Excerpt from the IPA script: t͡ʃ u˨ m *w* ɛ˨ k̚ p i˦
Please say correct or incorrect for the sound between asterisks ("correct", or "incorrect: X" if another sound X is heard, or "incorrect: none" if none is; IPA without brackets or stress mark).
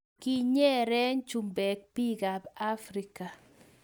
incorrect: b